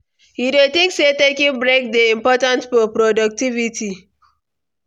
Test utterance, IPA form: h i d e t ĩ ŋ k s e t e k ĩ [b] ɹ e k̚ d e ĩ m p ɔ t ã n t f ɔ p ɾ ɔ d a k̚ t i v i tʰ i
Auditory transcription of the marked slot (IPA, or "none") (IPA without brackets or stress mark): b